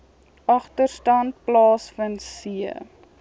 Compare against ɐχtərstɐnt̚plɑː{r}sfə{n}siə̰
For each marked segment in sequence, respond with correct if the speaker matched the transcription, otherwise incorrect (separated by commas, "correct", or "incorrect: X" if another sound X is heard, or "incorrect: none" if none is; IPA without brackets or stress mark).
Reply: incorrect: none, correct